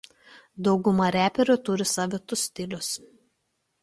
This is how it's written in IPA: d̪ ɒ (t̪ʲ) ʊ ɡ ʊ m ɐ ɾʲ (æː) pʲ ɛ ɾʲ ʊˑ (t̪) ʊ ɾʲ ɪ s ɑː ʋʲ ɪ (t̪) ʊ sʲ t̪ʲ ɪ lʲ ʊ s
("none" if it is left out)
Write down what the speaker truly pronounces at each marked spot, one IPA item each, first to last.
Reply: none, æː, t̪, t̪

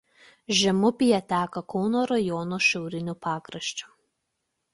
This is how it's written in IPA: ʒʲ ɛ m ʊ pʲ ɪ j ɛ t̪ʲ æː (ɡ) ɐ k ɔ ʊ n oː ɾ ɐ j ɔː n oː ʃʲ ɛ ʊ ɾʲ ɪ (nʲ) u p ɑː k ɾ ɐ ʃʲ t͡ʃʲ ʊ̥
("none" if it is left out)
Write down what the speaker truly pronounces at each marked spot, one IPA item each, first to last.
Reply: k, nʲ

